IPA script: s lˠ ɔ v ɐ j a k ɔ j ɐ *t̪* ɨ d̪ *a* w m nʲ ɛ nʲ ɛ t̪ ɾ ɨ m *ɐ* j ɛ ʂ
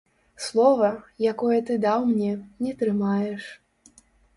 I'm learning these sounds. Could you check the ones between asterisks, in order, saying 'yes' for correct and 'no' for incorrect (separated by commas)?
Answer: yes, yes, no